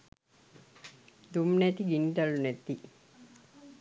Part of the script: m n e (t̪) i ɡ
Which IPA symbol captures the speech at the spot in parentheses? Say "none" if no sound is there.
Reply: t̪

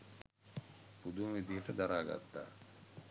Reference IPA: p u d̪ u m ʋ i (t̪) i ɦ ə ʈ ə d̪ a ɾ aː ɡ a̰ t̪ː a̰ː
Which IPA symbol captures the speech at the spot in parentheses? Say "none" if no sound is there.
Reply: d̪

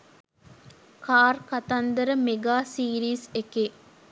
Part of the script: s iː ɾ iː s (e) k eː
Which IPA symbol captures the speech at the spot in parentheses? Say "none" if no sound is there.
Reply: e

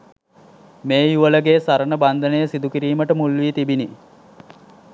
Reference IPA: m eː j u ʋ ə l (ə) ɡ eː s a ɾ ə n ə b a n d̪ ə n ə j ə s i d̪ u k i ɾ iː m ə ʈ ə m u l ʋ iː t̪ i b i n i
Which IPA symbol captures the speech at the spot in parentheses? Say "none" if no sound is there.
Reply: ə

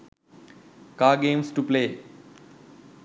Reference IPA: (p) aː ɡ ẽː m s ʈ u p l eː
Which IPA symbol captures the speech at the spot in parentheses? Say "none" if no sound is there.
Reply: k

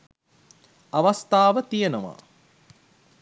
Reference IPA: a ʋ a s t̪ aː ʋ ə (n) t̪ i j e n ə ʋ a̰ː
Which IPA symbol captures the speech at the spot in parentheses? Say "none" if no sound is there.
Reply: none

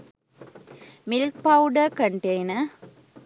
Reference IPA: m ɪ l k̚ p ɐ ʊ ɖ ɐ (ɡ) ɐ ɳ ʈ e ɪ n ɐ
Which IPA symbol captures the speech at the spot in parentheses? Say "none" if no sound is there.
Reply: k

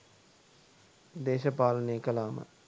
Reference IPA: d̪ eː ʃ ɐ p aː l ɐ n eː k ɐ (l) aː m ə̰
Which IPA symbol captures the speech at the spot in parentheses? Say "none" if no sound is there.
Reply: l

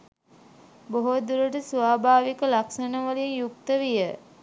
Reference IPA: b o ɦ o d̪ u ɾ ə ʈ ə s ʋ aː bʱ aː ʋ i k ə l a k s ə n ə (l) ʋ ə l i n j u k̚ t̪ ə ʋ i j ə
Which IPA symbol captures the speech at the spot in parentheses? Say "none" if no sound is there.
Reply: none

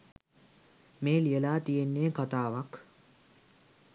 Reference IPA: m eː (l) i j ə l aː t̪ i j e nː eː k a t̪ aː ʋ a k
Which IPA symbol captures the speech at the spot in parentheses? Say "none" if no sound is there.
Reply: l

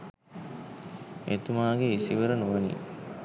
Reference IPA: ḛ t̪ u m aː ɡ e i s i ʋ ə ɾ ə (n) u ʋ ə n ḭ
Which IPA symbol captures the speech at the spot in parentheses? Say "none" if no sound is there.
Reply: n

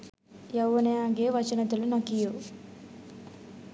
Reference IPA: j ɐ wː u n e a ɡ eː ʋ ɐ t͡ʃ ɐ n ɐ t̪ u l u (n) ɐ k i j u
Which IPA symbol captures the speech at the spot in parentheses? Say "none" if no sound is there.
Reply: n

